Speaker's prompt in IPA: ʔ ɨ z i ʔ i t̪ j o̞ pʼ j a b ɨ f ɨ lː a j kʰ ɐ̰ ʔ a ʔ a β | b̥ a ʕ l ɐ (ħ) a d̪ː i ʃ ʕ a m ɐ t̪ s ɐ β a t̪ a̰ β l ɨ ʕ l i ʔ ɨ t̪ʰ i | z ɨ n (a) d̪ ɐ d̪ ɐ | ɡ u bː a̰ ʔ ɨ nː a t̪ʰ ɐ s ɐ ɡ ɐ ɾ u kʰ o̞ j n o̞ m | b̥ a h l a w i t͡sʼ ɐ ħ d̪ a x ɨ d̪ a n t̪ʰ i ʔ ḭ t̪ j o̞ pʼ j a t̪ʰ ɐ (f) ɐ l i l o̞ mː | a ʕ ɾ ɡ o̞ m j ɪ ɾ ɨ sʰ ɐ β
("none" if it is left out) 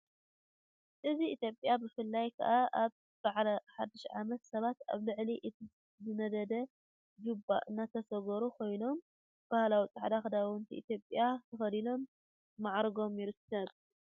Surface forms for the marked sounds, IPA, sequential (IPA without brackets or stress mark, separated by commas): ħ, ɐ, x